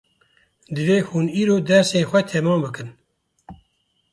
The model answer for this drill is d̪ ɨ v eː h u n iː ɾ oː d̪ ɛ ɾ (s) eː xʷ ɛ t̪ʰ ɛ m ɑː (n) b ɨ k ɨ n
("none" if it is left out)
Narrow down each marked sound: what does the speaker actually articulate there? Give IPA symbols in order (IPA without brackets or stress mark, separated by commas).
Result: s, m